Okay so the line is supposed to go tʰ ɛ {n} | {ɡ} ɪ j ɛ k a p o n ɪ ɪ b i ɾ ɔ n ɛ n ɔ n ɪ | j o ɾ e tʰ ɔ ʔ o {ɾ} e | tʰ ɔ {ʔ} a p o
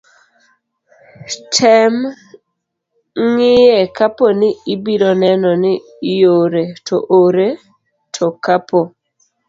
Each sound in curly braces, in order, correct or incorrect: incorrect: m, incorrect: ŋ, correct, incorrect: k

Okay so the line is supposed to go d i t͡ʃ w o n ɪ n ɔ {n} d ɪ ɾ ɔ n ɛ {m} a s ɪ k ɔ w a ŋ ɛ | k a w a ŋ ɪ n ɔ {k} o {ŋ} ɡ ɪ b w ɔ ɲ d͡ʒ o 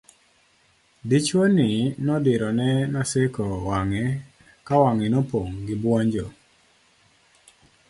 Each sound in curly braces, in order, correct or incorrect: incorrect: none, incorrect: n, incorrect: p, correct

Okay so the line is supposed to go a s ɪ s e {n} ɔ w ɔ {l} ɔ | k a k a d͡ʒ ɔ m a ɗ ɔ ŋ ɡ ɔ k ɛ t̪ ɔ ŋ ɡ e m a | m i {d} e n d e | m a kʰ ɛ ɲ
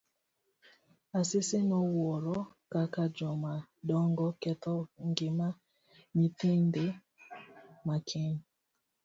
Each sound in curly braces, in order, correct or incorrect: correct, incorrect: ɾ, incorrect: t

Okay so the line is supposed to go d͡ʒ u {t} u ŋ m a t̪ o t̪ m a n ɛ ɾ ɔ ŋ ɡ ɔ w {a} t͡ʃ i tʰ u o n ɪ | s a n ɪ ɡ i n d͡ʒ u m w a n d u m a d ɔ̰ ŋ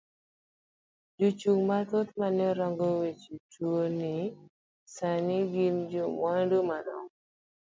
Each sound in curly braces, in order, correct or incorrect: incorrect: t͡ʃ, incorrect: e

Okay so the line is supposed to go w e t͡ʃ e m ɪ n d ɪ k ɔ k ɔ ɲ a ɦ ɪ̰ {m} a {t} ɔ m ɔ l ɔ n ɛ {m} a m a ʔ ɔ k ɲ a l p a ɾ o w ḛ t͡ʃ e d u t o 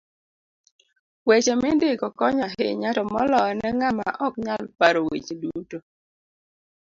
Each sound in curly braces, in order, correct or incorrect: incorrect: ɲ, correct, incorrect: ŋ

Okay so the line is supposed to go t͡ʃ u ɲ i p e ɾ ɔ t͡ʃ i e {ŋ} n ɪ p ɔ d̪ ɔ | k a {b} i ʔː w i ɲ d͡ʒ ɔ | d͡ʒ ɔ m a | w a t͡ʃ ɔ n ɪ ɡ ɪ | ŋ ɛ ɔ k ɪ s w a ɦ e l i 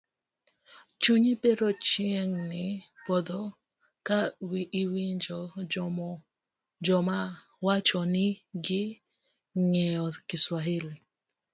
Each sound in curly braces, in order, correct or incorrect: correct, incorrect: w

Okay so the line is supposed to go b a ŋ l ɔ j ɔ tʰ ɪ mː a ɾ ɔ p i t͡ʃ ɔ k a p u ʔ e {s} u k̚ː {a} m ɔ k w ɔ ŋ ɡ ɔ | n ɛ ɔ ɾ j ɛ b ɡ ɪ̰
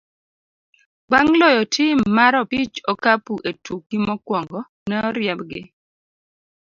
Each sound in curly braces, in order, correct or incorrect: incorrect: t, incorrect: i

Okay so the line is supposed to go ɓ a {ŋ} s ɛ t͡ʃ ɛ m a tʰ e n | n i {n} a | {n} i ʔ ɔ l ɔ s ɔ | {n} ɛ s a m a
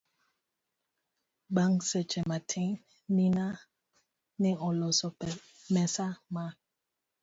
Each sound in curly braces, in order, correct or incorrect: correct, correct, correct, incorrect: m

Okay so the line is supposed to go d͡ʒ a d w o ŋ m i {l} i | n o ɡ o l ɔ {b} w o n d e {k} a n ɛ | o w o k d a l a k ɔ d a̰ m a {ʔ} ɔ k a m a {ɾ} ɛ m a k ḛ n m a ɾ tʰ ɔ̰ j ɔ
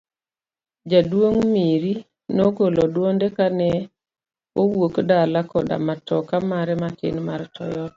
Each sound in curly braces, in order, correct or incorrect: incorrect: ɾ, incorrect: d, correct, incorrect: t, correct

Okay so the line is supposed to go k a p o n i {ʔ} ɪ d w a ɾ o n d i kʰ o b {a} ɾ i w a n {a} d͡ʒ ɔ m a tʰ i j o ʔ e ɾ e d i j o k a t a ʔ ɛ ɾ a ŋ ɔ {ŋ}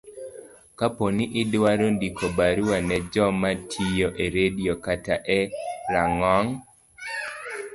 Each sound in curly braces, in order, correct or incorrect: correct, correct, incorrect: ɛ, correct

